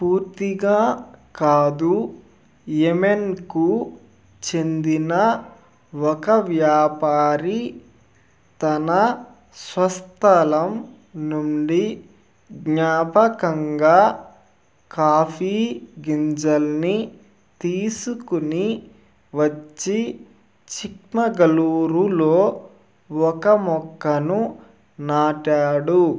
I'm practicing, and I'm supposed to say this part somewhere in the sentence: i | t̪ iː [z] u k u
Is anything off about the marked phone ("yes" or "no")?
yes